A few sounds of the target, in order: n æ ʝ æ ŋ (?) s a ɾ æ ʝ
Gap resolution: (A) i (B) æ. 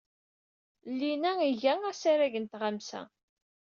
B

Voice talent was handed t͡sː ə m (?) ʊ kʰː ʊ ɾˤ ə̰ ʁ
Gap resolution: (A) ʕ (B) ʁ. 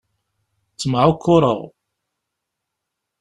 A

